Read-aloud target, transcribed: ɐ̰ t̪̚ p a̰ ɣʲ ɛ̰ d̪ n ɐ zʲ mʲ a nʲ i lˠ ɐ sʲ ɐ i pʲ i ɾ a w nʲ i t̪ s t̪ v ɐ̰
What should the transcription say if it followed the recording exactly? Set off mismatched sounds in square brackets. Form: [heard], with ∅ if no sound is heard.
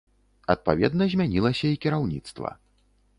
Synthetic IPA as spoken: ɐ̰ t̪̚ p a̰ [vʲ] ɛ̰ d̪ n ɐ zʲ mʲ a nʲ i lˠ ɐ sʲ ɐ i [kʲ] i ɾ a w nʲ i t̪ s t̪ v ɐ̰